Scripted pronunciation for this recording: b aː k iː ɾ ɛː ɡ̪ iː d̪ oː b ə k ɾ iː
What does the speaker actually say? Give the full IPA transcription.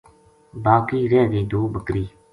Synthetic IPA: b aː k iː ɾ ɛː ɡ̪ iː d̪ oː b ə k ɾ iː